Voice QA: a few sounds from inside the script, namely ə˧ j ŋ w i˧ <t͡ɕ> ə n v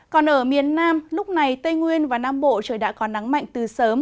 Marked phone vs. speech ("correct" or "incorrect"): incorrect